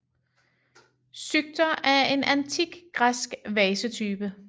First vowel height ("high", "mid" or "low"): high